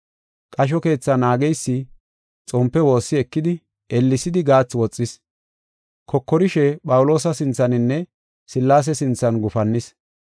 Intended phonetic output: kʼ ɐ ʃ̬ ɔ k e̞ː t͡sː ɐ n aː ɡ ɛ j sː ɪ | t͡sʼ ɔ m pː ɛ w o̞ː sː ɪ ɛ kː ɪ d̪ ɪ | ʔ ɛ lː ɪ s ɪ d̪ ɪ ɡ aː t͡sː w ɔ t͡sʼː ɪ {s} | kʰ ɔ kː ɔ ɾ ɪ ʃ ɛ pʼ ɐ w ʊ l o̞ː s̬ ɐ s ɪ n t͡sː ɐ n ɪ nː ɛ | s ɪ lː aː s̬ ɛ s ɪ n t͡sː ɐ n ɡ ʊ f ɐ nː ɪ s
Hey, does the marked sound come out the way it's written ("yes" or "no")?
yes